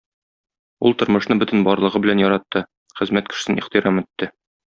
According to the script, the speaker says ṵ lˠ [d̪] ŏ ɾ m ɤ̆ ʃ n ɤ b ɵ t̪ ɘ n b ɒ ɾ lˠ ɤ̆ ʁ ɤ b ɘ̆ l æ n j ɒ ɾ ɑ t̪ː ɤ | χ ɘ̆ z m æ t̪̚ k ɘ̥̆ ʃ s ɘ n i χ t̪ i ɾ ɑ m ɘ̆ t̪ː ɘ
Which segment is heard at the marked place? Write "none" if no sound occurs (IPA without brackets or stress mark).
t̪